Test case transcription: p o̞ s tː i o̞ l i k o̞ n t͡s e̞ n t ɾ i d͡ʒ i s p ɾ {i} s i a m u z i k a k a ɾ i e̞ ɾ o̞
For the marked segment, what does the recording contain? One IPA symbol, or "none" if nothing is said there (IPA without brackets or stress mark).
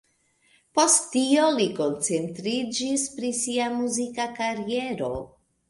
i